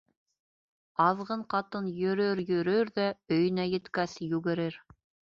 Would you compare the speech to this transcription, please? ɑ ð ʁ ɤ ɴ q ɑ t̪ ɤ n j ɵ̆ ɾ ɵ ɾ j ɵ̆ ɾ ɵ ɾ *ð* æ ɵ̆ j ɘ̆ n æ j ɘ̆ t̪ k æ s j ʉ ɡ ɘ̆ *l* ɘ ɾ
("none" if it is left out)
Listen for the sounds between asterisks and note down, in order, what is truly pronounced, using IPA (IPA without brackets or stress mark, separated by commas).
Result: ð, ɾ